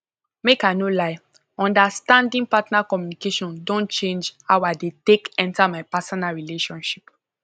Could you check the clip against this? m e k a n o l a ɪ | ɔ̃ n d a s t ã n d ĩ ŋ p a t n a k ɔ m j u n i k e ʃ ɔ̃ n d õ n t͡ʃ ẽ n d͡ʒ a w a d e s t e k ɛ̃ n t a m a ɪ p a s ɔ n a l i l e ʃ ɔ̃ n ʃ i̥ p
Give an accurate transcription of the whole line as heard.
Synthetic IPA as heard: m e k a n o l a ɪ | ɔ̃ n d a s t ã n d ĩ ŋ p a t n a k ɔ m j u n i k e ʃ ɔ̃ n d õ n t͡ʃ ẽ n d͡ʒ a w a d e t e k ɛ̃ n t a m a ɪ p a s ɔ n a ɹ i l e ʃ ɔ̃ n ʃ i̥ p